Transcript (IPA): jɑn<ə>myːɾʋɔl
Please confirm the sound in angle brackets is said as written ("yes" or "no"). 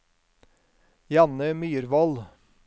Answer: yes